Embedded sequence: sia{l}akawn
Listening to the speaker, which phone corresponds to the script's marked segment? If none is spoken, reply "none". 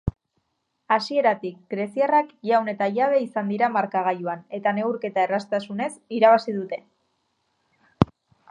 r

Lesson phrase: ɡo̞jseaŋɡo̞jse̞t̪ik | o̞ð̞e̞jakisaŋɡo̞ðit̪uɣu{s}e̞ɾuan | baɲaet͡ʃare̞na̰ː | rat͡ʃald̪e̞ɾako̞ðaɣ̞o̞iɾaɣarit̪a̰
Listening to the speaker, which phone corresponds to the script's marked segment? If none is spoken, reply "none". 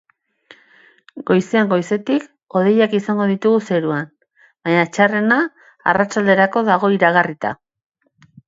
s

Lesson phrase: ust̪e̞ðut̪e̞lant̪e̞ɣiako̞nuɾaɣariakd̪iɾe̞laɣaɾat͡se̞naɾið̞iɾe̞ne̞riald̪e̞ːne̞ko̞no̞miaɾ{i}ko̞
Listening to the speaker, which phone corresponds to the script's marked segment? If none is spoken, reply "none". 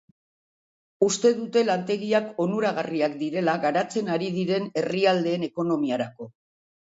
a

